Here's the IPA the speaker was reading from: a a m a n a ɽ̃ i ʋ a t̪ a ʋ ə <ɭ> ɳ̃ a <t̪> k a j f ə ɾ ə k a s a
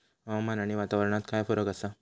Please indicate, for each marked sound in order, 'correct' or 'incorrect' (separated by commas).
incorrect, correct